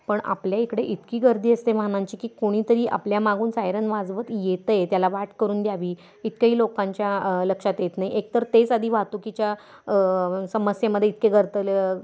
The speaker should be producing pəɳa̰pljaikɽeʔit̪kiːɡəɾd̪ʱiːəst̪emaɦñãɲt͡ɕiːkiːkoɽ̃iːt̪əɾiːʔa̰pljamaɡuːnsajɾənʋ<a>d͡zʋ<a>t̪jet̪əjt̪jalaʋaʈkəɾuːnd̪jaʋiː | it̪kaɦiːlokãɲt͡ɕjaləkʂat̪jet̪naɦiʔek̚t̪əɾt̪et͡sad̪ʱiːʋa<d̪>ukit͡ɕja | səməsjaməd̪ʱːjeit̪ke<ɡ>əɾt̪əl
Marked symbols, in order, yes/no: yes, no, no, yes

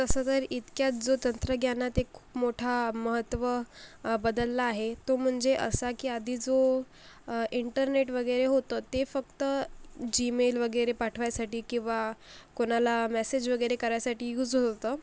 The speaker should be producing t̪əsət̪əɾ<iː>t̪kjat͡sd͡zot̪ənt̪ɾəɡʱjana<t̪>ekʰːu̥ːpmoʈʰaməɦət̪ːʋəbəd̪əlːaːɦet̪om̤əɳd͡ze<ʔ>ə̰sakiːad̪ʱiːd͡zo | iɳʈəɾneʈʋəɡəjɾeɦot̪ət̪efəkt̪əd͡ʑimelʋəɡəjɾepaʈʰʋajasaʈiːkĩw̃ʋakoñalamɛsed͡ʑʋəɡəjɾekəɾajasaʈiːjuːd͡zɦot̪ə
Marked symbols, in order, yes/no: no, yes, yes

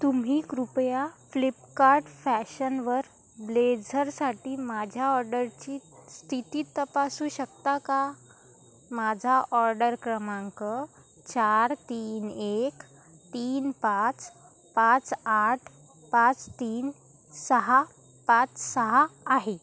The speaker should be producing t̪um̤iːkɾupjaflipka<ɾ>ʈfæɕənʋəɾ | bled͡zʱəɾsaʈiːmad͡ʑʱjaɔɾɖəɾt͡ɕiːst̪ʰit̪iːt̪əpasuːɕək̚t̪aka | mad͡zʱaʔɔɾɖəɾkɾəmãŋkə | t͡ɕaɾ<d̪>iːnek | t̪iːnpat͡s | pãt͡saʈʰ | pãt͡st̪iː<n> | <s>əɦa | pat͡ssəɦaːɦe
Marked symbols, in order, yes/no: yes, no, yes, yes

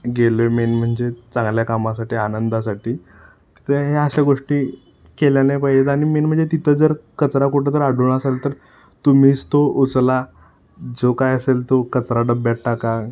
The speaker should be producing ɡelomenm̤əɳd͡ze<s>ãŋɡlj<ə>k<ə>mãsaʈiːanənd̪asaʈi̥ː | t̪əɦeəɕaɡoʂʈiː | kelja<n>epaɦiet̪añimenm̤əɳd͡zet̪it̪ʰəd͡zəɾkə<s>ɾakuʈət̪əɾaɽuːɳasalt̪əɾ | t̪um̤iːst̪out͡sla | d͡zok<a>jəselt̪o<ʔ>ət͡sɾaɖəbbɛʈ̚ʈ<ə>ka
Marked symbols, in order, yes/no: no, no, no, yes, no, yes, no, no

